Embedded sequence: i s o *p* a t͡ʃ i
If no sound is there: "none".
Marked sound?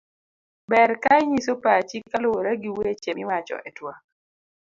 p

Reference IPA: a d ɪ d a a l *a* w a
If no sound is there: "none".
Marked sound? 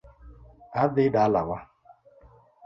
a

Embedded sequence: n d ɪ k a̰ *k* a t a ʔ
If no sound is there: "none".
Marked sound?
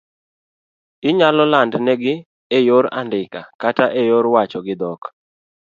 k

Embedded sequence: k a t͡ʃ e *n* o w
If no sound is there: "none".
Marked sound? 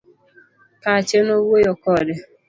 n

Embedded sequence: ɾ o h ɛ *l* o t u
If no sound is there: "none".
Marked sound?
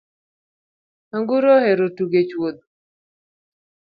ɾ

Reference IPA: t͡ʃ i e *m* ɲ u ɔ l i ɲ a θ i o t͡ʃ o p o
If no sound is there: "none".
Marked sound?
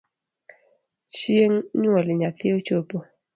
ŋ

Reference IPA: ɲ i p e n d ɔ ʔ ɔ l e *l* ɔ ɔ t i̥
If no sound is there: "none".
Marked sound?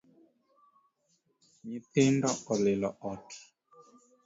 l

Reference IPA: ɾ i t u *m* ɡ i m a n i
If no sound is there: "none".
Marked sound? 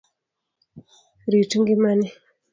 ŋ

